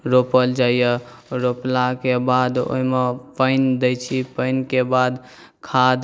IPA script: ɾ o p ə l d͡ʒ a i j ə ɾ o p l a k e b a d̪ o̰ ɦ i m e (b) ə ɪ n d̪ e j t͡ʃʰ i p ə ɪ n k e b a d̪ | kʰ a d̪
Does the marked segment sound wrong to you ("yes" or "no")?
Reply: yes